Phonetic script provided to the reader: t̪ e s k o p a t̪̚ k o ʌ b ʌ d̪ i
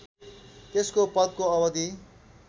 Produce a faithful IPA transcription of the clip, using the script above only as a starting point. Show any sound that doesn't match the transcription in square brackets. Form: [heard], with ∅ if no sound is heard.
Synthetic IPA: t̪ e s k o p [ʌ] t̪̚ k o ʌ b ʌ d̪ i